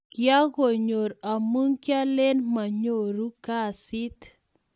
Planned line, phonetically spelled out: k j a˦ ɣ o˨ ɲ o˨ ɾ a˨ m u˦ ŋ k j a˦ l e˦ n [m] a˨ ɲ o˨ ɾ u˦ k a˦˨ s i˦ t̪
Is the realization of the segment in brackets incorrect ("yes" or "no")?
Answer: no